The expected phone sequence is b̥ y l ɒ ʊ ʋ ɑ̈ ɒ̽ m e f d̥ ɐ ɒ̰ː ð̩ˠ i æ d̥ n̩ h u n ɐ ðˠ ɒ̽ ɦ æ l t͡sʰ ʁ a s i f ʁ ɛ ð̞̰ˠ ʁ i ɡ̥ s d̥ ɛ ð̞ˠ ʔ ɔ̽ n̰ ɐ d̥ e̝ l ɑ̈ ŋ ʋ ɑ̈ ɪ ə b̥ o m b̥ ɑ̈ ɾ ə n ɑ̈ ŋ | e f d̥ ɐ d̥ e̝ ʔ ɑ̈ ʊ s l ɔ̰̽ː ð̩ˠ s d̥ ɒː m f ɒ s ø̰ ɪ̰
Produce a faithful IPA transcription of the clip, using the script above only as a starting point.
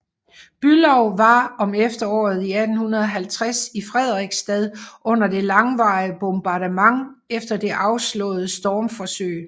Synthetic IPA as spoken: b̥ y l ɒ ʊ ʋ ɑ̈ ɒ̽ m e f d̥ ɐ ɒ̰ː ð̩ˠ i æ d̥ n̩ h u n ɐ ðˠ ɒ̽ ɦ æ l t͡sʰ ʁ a s i f ʁ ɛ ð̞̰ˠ ʁ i ɡ̥ s d̥ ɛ ð̞ˠ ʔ ɔ̽ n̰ ɐ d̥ e̝ l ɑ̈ ŋ ʋ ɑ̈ ɪ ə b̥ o m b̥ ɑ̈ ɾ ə m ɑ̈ ŋ | e f d̥ ɐ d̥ e̝ ʔ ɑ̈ ʊ s l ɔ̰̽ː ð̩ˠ s d̥ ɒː m f ɒ s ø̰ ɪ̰